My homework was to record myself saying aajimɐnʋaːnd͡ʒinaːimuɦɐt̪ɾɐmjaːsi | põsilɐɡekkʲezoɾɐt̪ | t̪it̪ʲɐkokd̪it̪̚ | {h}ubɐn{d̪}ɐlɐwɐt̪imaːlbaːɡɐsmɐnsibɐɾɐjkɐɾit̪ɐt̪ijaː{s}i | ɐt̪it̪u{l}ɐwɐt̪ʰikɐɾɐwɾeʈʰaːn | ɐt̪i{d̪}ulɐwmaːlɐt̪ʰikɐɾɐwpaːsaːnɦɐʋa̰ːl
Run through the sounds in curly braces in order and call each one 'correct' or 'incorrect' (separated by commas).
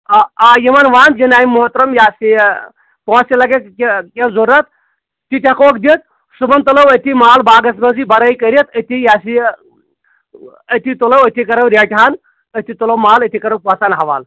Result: incorrect, incorrect, correct, correct, incorrect